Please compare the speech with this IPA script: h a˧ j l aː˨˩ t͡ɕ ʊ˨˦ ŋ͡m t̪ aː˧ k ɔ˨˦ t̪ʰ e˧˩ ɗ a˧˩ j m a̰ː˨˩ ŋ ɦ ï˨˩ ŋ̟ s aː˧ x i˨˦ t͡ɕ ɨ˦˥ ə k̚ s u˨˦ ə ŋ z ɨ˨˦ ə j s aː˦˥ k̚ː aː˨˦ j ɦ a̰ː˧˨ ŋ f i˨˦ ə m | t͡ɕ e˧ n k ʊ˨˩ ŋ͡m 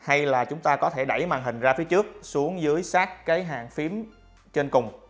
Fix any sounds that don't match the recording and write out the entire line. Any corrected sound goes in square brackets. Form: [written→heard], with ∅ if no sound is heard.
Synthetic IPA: h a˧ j l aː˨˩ t͡ɕ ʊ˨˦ ŋ͡m t̪ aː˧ k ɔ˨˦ t̪ʰ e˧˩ ɗ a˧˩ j m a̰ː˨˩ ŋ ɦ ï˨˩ ŋ̟ [s→z] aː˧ [x→f] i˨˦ t͡ɕ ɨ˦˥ ə k̚ s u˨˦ ə ŋ z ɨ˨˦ ə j s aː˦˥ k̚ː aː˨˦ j ɦ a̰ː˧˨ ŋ f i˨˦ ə m | t͡ɕ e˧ n k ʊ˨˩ ŋ͡m